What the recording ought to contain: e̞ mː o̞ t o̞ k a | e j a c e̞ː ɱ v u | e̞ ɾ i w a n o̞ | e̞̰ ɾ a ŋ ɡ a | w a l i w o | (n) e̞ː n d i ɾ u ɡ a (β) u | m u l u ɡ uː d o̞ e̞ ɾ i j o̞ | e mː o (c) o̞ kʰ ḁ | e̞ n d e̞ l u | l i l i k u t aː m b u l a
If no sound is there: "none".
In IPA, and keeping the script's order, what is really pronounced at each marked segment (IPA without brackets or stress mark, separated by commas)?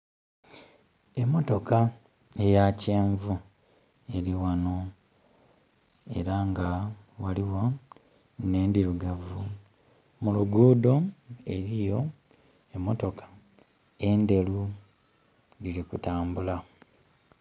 n, v, t